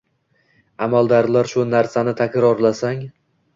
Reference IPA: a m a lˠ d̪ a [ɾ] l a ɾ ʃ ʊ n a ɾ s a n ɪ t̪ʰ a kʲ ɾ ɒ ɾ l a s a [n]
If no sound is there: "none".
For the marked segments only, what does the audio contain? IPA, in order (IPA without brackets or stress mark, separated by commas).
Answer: ɾ, ŋ